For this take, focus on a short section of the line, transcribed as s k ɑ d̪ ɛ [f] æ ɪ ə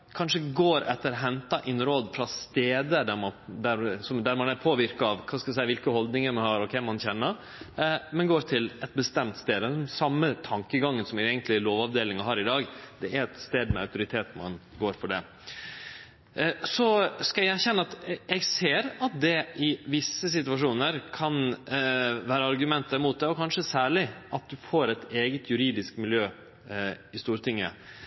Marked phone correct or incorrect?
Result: incorrect: s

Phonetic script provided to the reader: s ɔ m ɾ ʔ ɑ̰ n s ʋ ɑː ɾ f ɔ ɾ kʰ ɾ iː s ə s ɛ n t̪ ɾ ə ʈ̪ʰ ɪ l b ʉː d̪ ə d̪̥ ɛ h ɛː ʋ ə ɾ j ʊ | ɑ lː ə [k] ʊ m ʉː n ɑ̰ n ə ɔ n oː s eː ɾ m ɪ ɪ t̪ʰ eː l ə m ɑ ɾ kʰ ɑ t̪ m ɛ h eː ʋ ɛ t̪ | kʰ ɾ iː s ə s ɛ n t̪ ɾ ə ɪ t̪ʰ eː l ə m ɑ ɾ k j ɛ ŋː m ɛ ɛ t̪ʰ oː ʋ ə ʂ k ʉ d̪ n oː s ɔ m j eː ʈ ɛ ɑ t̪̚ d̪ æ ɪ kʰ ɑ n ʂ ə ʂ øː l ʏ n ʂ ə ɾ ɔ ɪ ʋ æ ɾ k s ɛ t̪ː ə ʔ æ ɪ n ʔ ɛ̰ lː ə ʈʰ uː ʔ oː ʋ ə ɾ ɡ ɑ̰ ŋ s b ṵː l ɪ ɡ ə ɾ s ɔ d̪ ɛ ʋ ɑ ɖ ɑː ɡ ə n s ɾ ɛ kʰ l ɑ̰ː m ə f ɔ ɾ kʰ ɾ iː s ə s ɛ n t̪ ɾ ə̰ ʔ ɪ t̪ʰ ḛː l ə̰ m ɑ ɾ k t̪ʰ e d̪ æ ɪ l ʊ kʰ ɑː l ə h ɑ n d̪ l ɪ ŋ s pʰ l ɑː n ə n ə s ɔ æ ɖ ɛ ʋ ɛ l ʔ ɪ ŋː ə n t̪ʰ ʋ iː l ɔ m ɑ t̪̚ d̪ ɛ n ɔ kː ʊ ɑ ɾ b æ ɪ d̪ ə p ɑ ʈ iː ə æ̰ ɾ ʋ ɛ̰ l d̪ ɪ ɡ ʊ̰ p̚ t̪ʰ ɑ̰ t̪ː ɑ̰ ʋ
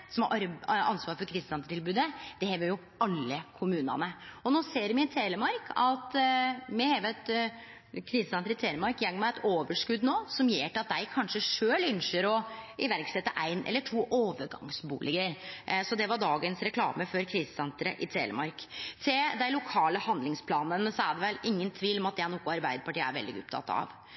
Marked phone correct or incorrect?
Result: incorrect: kʰ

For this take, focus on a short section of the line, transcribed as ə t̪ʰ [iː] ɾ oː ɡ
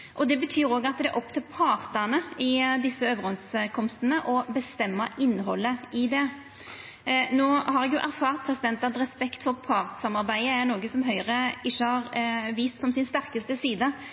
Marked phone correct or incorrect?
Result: incorrect: yː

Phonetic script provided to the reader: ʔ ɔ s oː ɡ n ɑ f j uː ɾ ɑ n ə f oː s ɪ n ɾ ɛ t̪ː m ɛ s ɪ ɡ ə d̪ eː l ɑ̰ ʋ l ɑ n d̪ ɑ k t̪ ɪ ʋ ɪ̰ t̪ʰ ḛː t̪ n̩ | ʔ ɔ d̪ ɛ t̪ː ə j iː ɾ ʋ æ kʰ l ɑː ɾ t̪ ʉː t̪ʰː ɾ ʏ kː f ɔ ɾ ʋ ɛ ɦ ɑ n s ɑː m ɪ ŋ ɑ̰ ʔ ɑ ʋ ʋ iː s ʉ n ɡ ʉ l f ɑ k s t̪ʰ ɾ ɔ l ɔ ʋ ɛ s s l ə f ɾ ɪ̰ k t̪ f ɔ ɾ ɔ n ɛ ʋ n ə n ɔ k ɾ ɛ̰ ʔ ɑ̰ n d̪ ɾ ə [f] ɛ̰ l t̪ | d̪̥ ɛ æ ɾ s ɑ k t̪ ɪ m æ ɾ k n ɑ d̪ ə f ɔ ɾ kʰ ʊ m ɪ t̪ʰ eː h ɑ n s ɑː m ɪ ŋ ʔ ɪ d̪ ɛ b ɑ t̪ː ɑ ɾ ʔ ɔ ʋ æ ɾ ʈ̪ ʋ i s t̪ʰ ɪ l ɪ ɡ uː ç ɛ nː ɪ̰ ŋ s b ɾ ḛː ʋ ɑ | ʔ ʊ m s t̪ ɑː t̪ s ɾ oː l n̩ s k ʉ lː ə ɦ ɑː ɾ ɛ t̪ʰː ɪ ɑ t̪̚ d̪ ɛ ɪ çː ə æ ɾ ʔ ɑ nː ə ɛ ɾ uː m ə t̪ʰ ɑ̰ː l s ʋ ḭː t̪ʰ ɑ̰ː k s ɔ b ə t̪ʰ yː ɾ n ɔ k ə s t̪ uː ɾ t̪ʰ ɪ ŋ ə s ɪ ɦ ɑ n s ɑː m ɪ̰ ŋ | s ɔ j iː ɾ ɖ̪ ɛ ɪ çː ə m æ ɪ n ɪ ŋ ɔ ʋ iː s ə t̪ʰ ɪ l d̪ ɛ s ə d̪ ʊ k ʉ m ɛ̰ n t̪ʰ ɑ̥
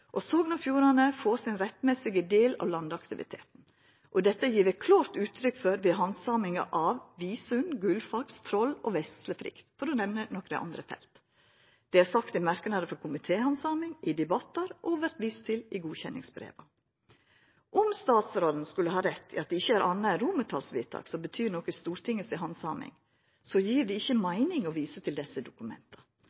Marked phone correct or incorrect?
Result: correct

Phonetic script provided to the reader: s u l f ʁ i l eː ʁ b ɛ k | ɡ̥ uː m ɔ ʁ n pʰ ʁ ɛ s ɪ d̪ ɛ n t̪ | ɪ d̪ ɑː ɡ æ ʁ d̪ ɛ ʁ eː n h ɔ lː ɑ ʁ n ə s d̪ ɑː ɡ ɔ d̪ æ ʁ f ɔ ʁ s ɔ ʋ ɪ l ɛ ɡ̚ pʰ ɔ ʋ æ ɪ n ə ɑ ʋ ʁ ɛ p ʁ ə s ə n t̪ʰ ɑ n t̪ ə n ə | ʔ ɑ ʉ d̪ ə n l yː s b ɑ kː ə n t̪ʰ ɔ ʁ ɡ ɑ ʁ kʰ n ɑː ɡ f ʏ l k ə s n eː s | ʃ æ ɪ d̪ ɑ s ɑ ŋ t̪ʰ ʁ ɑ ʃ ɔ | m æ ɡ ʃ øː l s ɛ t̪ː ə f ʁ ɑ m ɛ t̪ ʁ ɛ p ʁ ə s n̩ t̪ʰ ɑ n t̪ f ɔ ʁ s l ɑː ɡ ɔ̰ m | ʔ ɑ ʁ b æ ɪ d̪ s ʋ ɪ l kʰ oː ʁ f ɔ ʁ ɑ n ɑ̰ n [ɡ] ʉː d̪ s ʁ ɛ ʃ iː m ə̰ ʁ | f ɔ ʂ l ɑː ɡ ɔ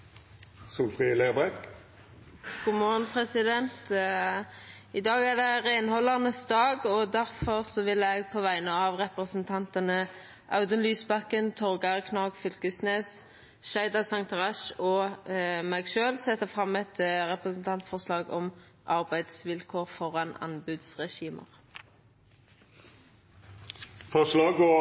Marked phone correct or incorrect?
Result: incorrect: b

